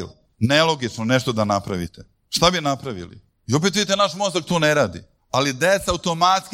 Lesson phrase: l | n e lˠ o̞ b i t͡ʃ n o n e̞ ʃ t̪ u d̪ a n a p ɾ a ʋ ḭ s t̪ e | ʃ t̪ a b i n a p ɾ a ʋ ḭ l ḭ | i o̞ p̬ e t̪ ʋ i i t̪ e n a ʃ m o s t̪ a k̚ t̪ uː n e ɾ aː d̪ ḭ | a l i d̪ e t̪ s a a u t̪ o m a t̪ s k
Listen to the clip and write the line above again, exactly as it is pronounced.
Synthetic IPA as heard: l | n e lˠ o̞ ɡ i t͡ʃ n o n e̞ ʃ t̪ o d̪ a n a p ɾ a ʋ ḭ t̪ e | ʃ t̪ a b i n a p ɾ a ʋ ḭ l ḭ | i o̞ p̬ e t̪ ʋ i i t̪ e n a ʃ m o s t̪ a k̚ t̪ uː n e ɾ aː d̪ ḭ | a l i d̪ e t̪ s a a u t̪ o m a t̪ s k